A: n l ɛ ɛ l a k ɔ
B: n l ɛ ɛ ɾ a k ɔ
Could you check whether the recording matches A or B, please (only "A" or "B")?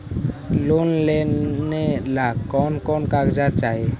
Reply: A